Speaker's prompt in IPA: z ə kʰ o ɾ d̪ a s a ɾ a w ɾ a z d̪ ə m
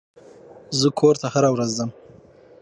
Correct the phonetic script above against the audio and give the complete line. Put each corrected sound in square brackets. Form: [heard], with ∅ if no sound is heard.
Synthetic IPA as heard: z ə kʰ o ɾ [t̪] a [h] a ɾ a w ɾ a z d̪ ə m

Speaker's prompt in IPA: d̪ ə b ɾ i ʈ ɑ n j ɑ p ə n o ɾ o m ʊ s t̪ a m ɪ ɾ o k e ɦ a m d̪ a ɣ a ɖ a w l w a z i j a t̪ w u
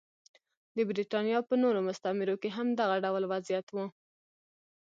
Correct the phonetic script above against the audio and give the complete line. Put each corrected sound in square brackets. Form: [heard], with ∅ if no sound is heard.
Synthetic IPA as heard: d̪ ə b ɾ i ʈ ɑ n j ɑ p ə n o ɾ o m ʊ s t̪ a m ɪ ɾ o k e ɦ a m d̪ a ɣ a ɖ a w l w a z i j a t̪ w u

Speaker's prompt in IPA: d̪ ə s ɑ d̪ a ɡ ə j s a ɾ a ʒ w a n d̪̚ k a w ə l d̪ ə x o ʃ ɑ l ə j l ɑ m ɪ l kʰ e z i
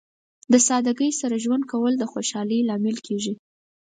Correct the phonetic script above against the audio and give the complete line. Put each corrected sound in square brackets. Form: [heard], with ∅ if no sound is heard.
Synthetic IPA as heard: d̪ ə s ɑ d̪ a ɡ ə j s a ɾ a ʒ w a n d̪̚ k a w ə l d̪ ə x o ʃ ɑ l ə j l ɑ m ɪ l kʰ e [ʒ] i

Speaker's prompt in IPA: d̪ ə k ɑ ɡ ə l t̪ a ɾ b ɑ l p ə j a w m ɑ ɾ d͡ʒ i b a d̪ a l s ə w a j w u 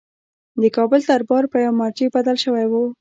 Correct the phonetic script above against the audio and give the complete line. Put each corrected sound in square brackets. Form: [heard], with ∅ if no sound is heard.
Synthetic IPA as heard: d̪ ə k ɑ [b] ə l t̪ a ɾ b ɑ [ɾ] p ə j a w m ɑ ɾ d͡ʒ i b a d̪ a l [ʃ] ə w a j w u

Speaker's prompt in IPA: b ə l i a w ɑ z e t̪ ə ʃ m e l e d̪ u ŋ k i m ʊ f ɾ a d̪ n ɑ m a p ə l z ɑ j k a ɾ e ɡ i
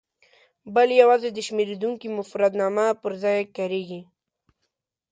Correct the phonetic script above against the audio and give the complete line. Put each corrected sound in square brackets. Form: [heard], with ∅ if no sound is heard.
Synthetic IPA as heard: b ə l [j] a w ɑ z e [d̪] ə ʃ m e [ɾ] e d̪ u ŋ k i m ʊ f ɾ a d̪ n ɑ m a p ə [ɾ] z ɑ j k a ɾ e ɡ i

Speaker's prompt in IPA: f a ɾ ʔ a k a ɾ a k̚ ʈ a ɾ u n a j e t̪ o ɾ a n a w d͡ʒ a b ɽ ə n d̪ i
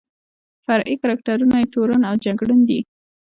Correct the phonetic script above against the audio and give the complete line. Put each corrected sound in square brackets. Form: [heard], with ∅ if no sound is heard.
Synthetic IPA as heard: f a ɾ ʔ [i] k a ɾ a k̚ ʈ a ɾ u n a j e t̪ o ɾ a n a w d͡ʒ a [ɡ] ɽ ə n d̪ i

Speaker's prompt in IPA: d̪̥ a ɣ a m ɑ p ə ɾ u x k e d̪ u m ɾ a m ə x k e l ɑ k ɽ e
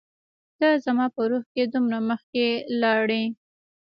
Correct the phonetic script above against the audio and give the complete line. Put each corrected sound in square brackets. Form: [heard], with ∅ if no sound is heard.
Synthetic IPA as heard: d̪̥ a [z] a m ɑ p ə ɾ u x k e d̪ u m ɾ a m ə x k e l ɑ [∅] ɽ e

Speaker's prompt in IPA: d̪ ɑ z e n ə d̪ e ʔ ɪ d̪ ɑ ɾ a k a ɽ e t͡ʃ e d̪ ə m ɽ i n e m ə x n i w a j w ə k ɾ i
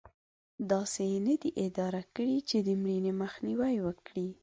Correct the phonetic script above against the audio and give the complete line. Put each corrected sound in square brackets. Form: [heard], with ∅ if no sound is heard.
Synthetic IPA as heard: d̪ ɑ [s] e n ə d̪ [i] ʔ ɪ d̪ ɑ ɾ a k [ə] ɽ [i] t͡ʃ e d̪ ə m ɽ i n e m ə x n i w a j w ə k [ɽ] i

